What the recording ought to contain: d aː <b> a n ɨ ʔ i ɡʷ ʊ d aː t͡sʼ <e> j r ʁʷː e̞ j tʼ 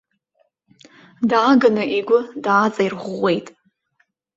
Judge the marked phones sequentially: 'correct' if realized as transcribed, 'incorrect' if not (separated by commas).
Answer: incorrect, incorrect